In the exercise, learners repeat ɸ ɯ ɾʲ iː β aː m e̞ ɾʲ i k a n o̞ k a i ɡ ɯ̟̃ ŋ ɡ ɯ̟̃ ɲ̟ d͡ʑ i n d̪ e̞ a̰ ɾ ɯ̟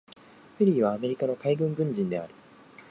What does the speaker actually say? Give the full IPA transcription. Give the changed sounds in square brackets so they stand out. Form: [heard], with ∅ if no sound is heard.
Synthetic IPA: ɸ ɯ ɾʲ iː β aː m e̞ ɾʲ i k a n o̞ k a i ɡ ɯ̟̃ ŋ ɡ ɯ̟̃ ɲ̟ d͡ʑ [ĩ] n d̪ e̞ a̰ ɾ ɯ̟